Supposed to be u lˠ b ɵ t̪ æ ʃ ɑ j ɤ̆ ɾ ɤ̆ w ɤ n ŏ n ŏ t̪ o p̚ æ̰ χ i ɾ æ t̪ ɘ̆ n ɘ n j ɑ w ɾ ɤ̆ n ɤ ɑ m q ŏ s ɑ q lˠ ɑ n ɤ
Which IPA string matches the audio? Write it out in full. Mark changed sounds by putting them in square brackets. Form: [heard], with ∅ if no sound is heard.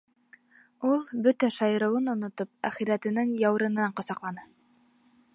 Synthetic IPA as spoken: u lˠ b ɵ t̪ æ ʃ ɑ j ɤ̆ ɾ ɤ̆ w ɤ n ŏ n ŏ t̪ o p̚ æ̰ χ i ɾ æ t̪ ɘ̆ n ɘ [ŋ] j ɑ w ɾ ɤ̆ n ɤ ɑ [ɴ] q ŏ s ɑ q lˠ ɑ n ɤ